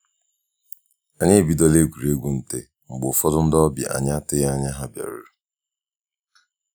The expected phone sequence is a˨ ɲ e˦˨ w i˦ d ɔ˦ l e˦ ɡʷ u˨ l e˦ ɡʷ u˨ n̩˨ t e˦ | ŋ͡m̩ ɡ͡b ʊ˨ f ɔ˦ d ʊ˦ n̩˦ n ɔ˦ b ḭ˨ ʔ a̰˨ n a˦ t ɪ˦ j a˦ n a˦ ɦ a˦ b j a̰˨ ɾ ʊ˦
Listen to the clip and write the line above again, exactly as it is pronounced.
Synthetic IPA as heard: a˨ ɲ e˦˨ b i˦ d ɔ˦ l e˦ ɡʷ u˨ ɾ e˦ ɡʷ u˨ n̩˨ t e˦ | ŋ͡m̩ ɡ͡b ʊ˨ f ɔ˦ d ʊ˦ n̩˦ d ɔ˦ b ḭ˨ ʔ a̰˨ ɲ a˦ t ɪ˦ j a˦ ɲ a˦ ɦ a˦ b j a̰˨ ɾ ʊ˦